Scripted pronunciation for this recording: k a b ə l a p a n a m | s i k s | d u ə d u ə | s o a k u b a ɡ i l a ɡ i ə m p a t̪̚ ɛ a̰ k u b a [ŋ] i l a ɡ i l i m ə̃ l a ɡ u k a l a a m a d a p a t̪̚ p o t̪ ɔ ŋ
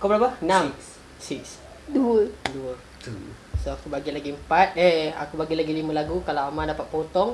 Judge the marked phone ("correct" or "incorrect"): incorrect